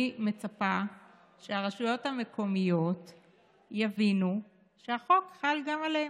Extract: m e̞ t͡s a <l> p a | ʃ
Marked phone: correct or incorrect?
incorrect